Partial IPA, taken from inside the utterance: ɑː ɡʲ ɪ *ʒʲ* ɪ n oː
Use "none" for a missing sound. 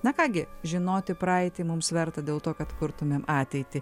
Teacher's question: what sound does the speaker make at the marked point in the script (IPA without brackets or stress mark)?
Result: ʒʲ